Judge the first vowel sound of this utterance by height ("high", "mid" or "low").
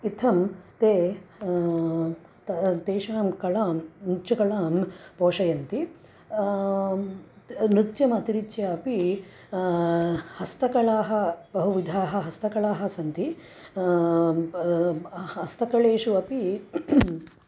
high